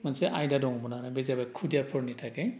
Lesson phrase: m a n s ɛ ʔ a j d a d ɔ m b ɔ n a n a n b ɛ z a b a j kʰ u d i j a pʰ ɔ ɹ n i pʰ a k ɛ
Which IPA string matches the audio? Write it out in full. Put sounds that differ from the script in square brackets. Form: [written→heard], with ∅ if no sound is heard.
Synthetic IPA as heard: m a n s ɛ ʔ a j d a d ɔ [m→ŋ] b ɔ n a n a [n→∅] b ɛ z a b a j kʰ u d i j a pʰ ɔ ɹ n i [pʰ→tʰ] a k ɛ